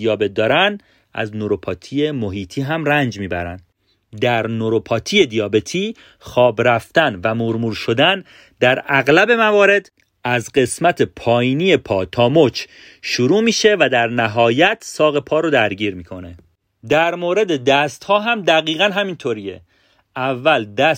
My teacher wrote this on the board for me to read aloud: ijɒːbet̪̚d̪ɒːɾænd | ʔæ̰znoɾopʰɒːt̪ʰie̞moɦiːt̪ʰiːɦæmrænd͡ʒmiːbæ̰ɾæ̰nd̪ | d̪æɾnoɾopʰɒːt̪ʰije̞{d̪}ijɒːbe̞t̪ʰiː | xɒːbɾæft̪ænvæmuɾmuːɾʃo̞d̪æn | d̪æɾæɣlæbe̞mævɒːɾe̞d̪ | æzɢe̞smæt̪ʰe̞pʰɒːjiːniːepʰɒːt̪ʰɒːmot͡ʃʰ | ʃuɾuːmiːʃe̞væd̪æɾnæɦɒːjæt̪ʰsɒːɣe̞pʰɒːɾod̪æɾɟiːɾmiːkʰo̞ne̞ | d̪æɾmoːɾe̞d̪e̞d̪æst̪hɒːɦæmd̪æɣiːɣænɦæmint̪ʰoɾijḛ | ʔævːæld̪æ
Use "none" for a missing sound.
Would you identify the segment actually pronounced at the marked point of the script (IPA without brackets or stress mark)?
d̪